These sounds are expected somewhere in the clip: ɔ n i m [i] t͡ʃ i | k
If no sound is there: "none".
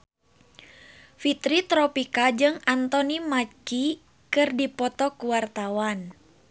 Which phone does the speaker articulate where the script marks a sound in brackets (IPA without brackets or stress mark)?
a